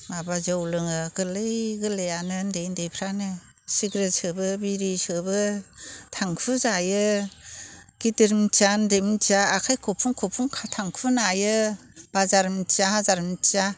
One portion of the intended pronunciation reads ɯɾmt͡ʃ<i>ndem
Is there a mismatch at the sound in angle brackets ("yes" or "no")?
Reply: yes